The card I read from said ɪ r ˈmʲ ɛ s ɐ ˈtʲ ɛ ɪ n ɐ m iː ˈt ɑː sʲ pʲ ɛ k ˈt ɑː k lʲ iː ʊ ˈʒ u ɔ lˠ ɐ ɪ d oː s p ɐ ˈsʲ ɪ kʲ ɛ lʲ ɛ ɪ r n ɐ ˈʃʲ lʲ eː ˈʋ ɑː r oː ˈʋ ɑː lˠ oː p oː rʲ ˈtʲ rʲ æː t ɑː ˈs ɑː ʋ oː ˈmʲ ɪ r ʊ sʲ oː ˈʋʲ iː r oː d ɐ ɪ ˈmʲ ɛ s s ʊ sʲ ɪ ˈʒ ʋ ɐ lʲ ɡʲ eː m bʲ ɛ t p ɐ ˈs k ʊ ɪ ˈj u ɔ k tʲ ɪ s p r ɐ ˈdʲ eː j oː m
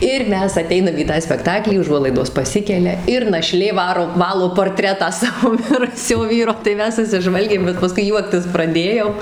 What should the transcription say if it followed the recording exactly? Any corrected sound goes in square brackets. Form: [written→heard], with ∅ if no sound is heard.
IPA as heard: ɪ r ˈmʲ ɛ s ɐ ˈtʲ ɛ ɪ n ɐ m iː ˈt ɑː sʲ pʲ ɛ k ˈt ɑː k lʲ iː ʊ ˈʒ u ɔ lˠ ɐ ɪ d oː s p ɐ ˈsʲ ɪ kʲ ɛ lʲ ɛ ɪ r n ɐ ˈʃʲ lʲ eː ˈʋ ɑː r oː ˈʋ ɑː lˠ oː p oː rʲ ˈtʲ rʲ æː t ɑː ˈs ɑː ʋ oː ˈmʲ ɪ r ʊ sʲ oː ˈʋʲ iː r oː [d→t] ɐ ɪ ˈmʲ ɛ s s ʊ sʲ ɪ ˈʒ ʋ ɐ lʲ ɡʲ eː m bʲ ɛ t p ɐ ˈs k ʊ ɪ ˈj u ɔ k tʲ ɪ s p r ɐ ˈdʲ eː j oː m